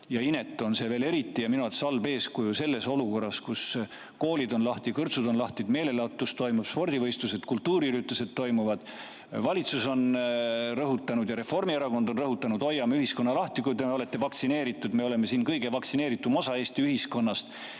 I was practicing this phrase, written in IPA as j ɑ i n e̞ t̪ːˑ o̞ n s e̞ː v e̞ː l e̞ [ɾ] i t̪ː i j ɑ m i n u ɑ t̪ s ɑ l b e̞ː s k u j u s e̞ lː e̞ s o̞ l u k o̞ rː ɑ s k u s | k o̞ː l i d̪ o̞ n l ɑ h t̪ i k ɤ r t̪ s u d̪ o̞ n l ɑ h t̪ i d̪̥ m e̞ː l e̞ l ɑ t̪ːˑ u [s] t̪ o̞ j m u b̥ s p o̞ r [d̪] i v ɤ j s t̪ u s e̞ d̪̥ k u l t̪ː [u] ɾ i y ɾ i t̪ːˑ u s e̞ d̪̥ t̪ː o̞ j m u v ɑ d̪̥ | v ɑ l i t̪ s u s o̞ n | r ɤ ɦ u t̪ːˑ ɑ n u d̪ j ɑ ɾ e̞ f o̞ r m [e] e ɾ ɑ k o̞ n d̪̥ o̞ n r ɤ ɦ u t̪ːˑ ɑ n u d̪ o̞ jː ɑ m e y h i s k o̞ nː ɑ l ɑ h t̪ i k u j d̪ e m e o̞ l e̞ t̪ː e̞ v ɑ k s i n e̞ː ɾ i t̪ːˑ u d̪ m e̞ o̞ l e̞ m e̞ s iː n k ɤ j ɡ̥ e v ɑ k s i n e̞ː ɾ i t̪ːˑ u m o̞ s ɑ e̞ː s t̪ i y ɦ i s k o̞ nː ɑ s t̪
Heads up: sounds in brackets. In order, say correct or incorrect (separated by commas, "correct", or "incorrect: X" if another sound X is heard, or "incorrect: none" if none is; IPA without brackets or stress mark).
correct, correct, correct, incorrect: uː, incorrect: i